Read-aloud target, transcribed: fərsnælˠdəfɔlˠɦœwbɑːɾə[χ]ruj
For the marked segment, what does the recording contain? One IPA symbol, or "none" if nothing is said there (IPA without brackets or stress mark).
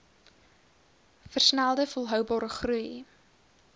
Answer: χ